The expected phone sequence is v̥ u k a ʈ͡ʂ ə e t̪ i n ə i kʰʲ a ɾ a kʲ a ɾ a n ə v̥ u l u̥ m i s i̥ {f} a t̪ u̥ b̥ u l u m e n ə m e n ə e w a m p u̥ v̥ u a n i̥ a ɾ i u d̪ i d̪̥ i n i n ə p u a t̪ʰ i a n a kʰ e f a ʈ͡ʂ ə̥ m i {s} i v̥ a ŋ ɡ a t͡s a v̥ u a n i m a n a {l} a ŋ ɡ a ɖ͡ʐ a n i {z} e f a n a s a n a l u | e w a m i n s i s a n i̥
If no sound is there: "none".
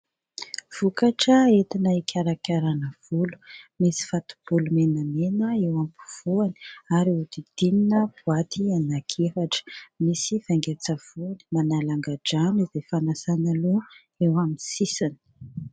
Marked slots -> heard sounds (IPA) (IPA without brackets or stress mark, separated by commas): f, s, l, z